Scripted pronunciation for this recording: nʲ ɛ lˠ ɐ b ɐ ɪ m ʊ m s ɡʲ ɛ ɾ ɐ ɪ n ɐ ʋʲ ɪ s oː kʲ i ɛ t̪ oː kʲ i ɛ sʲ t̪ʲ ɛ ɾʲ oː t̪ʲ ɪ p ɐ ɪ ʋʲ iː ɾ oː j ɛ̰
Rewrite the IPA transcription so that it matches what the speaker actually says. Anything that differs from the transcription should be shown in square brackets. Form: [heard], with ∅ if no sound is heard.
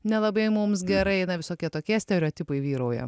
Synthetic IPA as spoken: nʲ ɛ lˠ ɐ b ɐ ɪ m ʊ m s ɡʲ ɛ ɾ ɐ ɪ n ɐ ʋʲ ɪ s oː kʲ i ɛ t̪ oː kʲ i ɛ sʲ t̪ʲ ɛ ɾʲ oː t̪ʲ ɪ p ɐ ɪ ʋʲ iː ɾ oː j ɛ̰